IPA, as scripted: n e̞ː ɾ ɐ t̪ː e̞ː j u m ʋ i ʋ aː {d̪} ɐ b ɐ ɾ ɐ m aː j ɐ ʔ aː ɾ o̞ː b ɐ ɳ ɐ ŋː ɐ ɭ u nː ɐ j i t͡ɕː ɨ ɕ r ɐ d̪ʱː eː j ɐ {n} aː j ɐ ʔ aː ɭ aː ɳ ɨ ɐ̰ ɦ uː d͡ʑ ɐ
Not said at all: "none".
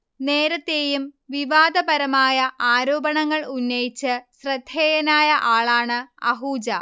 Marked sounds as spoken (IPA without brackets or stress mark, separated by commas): d̪, n